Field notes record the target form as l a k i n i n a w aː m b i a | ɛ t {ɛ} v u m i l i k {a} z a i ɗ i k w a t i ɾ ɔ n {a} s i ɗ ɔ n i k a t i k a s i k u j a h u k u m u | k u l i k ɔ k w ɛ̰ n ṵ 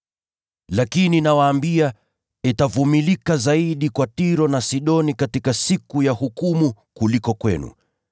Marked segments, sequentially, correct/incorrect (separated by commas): incorrect, correct, correct